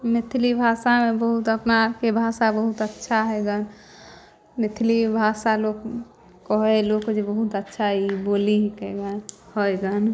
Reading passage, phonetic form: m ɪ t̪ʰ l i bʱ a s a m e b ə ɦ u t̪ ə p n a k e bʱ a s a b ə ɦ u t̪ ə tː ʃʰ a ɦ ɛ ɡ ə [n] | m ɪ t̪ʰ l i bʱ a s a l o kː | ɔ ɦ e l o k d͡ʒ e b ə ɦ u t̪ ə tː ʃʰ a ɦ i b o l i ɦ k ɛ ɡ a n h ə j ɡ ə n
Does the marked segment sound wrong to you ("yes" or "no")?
no